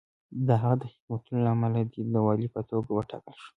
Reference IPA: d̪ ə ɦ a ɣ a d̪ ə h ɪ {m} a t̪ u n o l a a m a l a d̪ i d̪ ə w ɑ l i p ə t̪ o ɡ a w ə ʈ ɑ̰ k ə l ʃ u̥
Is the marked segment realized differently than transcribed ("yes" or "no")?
no